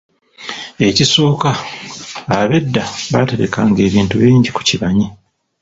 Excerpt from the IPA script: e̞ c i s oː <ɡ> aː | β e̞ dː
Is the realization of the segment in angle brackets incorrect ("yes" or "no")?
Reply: yes